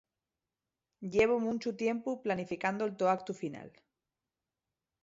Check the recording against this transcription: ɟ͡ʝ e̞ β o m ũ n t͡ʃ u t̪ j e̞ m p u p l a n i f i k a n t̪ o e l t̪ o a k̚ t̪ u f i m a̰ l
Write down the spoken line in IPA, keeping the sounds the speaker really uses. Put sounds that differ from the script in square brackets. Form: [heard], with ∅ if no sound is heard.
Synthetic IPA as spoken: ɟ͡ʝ e̞ β o m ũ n t͡ʃ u t̪ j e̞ m p u p l a n i f i k a n [d̪] o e l t̪ o a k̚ t̪ u f i [n] a̰ l